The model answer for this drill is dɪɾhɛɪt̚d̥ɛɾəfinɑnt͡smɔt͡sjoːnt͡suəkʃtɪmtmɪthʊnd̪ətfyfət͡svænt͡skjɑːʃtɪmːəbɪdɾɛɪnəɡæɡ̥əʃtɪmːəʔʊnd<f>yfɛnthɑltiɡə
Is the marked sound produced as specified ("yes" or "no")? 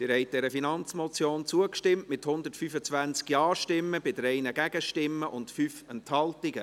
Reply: yes